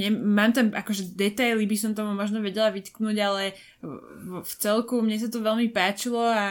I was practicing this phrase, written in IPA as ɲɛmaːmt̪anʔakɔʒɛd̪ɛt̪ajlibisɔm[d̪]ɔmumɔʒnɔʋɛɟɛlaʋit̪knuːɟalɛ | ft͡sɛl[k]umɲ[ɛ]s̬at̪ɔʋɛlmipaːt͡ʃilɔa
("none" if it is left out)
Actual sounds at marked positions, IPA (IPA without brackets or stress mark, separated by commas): t̪, k, ɛ